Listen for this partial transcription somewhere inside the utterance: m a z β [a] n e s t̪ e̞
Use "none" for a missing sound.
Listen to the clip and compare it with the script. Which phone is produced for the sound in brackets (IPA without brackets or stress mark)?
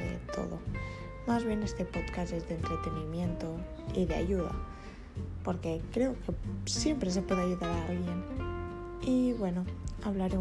e